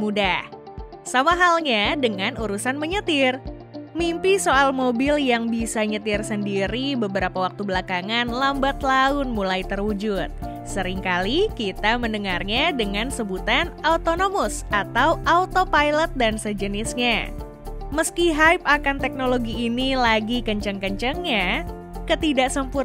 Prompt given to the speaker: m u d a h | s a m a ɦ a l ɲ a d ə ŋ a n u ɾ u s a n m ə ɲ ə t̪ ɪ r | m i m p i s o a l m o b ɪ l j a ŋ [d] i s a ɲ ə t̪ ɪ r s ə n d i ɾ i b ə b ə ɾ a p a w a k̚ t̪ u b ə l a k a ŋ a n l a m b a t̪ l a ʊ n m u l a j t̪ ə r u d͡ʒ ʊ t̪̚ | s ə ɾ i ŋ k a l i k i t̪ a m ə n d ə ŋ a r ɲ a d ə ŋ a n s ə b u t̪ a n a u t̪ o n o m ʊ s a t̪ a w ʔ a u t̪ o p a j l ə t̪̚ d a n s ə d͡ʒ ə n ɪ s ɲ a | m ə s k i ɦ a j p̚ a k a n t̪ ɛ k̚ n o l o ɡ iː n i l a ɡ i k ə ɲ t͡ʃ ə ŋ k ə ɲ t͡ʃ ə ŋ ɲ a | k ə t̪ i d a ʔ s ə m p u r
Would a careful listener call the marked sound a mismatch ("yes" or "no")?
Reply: yes